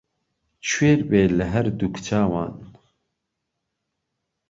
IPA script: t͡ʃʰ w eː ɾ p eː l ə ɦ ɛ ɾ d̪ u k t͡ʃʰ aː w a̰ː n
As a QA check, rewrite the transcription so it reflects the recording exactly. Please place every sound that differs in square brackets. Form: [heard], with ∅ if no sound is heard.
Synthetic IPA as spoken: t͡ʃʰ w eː ɾ [b] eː l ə ɦ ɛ ɾ d̪ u k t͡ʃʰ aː w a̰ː n